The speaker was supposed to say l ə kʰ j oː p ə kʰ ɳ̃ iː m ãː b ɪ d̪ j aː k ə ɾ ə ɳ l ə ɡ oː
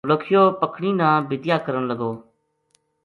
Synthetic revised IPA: l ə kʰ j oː p ə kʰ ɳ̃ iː n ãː b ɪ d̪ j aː k ə ɾ ə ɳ l ə ɡ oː